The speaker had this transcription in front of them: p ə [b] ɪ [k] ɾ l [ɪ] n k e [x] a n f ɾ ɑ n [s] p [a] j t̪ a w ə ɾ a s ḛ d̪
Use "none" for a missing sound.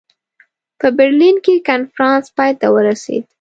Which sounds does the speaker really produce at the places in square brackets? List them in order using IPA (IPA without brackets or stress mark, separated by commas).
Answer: b, none, i, k, s, ɑ